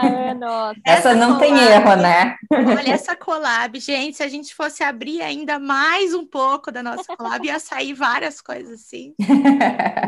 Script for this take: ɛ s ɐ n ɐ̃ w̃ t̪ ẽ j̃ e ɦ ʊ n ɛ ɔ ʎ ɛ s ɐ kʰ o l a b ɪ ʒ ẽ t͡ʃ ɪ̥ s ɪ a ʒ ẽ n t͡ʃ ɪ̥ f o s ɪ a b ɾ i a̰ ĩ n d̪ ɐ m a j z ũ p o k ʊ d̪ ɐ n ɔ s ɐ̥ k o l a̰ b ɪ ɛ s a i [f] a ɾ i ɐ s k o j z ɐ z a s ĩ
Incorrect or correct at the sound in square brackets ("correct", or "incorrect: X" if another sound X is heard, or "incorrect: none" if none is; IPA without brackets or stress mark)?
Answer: incorrect: v